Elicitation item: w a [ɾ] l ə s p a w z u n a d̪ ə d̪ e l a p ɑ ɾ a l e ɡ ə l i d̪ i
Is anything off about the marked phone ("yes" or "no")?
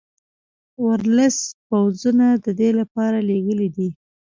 no